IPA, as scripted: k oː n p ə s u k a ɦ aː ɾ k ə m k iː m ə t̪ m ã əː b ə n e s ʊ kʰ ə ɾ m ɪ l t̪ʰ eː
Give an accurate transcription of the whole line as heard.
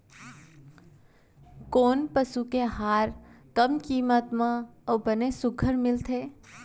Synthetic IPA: k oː n p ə s u k e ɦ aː ɾ k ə m k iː m ə t̪ m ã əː b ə n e s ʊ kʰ ə ɾ m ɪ l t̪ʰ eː